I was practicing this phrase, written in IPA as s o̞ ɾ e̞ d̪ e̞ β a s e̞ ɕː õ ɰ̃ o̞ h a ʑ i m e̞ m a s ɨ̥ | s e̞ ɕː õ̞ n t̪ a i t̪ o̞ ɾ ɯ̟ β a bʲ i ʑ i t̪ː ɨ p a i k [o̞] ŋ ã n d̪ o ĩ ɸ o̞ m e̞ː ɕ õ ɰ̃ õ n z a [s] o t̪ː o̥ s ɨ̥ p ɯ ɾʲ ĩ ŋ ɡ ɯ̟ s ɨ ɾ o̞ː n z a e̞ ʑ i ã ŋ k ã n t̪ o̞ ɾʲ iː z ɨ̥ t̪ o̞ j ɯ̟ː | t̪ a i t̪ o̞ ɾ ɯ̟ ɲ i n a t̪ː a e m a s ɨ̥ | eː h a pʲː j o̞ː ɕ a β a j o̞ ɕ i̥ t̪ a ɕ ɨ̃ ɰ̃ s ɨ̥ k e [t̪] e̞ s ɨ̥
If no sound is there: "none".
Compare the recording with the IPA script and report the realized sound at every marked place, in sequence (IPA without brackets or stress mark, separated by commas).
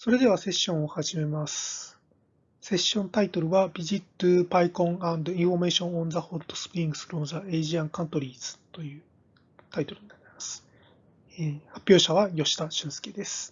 õ̞, h, d̪